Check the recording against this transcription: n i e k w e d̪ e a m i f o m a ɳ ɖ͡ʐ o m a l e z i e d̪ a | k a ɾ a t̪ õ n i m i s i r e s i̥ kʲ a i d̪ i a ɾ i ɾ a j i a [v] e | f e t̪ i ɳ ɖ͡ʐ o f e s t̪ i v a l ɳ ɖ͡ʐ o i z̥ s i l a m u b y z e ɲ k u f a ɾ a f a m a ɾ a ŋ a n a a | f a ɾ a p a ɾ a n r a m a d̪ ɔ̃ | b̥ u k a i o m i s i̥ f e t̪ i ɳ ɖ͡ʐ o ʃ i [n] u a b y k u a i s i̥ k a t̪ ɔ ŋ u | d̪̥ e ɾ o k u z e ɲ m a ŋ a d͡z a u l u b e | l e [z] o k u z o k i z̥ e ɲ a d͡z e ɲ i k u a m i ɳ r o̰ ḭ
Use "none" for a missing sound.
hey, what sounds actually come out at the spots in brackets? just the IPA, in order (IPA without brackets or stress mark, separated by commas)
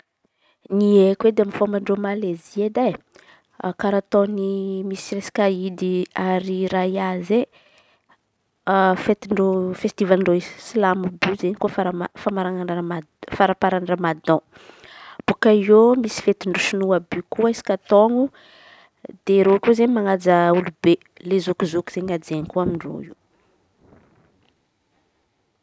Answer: z, n, z